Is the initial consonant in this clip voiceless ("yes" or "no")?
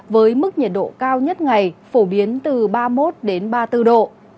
no